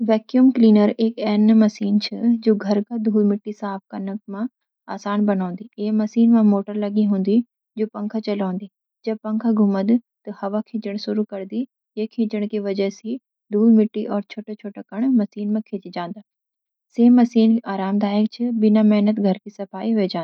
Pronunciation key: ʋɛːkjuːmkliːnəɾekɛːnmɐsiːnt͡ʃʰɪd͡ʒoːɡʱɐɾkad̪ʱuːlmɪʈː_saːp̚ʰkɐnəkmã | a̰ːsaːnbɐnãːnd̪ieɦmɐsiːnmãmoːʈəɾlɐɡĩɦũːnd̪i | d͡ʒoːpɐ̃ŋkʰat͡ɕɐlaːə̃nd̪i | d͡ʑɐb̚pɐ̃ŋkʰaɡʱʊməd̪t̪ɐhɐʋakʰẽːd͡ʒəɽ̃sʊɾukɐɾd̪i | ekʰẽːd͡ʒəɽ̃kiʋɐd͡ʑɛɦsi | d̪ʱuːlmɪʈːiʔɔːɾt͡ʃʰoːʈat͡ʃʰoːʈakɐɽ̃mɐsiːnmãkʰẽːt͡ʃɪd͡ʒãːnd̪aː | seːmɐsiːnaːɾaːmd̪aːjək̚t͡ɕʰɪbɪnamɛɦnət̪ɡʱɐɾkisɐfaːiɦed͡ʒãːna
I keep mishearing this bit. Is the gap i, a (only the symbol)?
i